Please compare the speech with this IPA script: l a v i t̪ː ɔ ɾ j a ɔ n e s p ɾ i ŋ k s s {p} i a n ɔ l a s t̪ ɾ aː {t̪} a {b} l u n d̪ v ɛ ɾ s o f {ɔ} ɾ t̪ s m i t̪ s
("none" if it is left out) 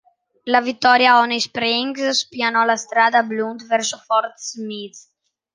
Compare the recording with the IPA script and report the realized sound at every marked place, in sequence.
p, d̪, b, ɔ

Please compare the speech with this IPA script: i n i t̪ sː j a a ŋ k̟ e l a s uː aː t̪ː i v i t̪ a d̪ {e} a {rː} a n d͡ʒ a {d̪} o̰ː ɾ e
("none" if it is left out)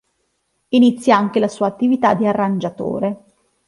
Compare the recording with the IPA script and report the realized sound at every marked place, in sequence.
i, rː, t̪

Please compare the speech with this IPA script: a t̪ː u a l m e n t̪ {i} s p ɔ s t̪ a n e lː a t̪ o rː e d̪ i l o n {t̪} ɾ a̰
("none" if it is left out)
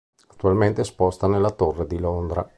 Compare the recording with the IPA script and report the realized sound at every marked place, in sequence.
e, d̪

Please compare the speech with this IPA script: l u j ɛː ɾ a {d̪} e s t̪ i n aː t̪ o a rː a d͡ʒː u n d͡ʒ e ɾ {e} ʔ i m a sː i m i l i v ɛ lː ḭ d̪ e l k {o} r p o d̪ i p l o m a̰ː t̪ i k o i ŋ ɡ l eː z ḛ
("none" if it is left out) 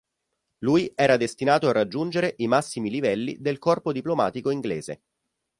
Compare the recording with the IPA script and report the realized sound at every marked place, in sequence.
d̪, e, ɔ

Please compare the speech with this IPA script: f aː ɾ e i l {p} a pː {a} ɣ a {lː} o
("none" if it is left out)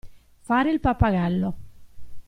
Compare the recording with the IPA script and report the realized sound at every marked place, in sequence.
p, a, lː

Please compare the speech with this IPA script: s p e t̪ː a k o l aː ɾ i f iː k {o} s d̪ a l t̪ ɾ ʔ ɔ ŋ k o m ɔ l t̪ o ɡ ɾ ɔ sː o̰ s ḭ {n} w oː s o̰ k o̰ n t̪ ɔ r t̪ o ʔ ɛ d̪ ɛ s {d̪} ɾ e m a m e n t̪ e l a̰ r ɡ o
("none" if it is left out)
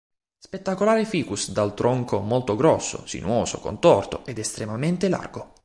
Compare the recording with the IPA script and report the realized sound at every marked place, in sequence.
u, n, t̪

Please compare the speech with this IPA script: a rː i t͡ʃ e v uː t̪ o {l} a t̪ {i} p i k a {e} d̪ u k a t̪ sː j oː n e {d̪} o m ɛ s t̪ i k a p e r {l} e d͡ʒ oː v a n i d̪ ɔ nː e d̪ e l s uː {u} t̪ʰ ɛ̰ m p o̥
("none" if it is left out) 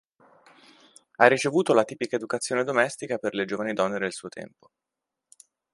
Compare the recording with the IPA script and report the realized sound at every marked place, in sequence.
l, iː, e, d̪, l, o

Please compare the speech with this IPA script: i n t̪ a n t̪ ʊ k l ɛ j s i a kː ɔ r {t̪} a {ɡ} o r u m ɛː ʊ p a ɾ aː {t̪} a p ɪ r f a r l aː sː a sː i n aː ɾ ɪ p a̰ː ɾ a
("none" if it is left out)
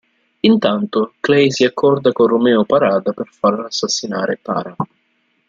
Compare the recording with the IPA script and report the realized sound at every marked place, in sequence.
d̪, k, d̪

